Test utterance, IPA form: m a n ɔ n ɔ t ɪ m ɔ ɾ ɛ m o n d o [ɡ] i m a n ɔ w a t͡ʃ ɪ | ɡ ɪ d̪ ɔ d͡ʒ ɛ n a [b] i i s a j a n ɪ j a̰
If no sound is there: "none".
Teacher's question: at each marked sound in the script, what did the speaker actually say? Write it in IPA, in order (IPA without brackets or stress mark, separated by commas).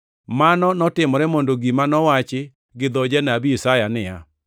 ɡ, b